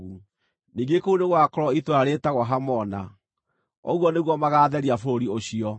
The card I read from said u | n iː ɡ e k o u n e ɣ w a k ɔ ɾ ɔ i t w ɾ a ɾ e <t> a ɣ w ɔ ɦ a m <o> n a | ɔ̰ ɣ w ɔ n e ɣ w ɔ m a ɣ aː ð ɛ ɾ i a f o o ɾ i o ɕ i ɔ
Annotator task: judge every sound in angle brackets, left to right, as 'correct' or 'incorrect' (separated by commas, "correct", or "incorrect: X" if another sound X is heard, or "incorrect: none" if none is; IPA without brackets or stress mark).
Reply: correct, incorrect: ɔ